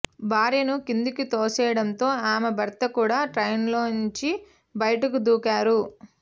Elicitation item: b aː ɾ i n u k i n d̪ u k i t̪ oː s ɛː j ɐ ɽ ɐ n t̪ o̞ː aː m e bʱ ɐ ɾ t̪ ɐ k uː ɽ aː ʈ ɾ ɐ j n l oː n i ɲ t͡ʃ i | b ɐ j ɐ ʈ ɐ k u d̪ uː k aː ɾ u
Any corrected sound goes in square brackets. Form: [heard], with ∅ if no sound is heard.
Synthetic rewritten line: b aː ɾ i n u k i n d̪ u k i t̪ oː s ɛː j ɐ ɽ ɐ n t̪ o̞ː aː m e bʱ ɐ ɾ t̪ ɐ k uː ɽ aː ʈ ɾ ɐ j n l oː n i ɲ t͡ʃ i | b ɐ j ɐ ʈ ɐ k u d̪ uː k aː ɾ u